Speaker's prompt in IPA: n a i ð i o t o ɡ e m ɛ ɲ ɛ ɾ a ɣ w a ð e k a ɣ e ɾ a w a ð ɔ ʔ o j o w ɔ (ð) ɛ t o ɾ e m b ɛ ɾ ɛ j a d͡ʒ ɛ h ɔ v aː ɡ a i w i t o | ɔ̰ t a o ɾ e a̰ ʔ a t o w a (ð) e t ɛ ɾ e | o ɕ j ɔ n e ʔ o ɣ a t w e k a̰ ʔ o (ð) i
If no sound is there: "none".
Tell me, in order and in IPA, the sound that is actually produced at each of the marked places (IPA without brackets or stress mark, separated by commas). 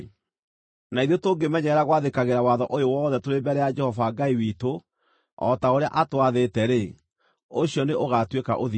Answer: ð, ð, ð